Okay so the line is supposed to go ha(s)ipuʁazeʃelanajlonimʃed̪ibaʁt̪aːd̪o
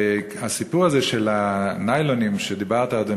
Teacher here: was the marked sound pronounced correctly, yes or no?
yes